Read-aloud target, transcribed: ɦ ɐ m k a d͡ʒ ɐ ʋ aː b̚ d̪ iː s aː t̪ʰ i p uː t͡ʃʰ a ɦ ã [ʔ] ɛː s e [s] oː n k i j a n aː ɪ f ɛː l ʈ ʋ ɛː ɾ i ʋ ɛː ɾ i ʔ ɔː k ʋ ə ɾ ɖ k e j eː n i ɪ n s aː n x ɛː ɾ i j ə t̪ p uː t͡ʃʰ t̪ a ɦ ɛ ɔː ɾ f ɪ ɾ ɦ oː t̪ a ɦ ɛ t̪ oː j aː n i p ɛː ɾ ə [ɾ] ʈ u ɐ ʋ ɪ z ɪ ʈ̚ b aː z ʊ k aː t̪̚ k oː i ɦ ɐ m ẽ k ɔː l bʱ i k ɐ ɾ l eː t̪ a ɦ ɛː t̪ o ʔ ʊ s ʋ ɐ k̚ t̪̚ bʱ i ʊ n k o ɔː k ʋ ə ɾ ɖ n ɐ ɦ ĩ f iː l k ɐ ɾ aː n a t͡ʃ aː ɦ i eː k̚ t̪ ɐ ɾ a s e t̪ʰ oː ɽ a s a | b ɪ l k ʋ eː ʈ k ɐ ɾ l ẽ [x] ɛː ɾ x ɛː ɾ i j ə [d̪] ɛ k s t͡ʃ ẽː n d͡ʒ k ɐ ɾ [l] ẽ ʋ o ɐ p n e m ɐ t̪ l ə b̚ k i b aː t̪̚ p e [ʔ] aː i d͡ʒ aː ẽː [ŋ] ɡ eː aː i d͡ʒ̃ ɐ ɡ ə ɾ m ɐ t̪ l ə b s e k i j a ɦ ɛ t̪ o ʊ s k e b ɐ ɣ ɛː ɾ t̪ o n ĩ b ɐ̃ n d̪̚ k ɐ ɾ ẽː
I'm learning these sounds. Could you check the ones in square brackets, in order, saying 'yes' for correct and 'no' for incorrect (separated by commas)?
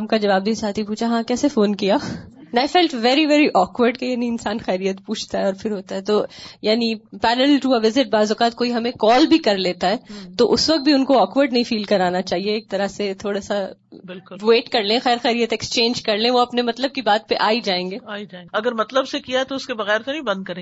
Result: no, no, no, yes, no, yes, yes, yes